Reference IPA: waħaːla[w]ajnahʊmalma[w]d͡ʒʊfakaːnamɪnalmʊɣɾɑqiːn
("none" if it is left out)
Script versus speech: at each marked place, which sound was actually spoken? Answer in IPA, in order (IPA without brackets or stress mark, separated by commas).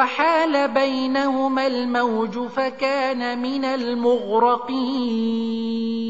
b, w